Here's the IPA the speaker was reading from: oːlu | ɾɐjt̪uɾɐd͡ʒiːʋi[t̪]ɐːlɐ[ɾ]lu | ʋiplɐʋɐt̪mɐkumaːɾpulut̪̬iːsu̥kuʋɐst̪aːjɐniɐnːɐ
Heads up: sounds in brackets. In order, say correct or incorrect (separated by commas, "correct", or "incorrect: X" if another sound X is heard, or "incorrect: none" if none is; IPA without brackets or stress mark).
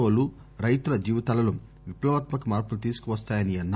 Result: correct, incorrect: none